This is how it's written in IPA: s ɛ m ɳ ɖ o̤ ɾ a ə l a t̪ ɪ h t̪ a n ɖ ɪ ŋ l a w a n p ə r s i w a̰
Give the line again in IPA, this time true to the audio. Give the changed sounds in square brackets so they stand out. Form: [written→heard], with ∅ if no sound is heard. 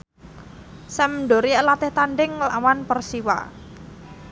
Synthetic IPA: s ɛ m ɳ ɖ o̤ ɾ [a→i] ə l a t̪ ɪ h t̪ a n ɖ ɪ ŋ l a w a n p ə r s i w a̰